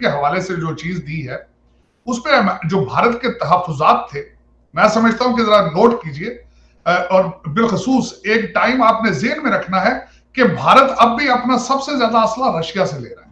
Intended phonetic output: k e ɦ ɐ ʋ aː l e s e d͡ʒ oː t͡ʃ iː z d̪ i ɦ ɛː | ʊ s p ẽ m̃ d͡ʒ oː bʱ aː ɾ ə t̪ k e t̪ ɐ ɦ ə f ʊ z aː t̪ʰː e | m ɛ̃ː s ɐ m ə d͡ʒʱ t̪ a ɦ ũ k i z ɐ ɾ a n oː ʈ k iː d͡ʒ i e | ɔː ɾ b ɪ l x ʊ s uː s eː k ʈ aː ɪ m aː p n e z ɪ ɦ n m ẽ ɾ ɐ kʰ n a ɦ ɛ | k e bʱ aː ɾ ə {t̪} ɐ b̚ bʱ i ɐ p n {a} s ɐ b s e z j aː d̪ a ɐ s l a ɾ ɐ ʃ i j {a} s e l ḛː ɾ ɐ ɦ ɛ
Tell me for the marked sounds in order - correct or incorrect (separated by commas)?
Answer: correct, correct, correct